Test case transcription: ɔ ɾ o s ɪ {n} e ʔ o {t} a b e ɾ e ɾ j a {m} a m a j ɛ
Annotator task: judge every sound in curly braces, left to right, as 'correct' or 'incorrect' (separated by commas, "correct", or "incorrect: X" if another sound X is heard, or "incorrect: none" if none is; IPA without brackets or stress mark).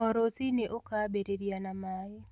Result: correct, incorrect: k, incorrect: n